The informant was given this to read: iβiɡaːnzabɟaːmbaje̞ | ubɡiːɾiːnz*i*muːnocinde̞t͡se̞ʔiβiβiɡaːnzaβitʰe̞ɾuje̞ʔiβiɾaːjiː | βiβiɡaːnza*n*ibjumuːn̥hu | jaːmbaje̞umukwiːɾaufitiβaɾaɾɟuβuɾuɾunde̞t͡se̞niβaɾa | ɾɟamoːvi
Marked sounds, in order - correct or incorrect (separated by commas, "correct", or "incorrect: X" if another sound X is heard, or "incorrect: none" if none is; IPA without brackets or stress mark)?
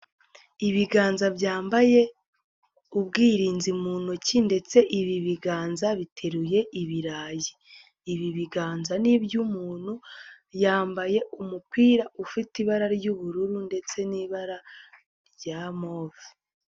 correct, correct